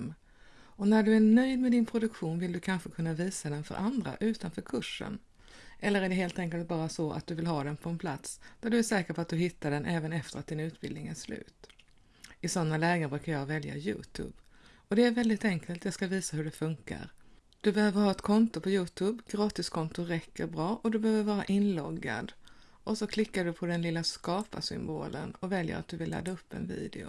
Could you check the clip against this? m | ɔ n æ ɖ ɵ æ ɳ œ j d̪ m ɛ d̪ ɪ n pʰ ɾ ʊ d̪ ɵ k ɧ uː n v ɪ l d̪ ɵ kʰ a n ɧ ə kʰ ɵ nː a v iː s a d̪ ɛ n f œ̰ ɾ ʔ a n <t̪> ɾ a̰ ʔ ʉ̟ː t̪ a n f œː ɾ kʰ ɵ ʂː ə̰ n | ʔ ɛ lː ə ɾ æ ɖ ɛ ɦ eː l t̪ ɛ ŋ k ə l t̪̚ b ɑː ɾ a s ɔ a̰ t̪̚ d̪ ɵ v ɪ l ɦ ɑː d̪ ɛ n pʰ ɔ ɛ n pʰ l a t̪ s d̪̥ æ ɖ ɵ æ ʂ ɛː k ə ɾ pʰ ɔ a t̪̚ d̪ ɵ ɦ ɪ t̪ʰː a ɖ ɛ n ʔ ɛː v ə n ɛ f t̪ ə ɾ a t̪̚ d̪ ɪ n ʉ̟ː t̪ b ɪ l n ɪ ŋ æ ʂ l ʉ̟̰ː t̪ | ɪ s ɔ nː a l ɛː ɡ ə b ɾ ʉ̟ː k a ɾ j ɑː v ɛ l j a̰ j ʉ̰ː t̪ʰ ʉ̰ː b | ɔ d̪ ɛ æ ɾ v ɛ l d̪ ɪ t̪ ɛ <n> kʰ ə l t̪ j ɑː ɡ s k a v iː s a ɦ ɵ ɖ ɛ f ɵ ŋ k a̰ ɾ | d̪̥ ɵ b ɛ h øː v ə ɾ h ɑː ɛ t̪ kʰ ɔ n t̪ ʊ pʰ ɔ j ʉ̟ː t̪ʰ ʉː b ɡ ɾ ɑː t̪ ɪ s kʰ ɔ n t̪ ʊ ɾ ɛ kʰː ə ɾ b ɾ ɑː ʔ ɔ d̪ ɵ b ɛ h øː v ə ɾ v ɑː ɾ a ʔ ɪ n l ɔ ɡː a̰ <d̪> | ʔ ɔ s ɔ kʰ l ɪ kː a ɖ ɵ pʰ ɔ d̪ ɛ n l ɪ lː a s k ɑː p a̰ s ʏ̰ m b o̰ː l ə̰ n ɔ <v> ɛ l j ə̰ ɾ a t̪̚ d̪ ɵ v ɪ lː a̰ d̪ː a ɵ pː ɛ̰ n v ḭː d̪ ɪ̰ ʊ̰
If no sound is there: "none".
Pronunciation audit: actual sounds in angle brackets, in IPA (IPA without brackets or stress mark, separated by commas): d̪, ŋ, d̪, v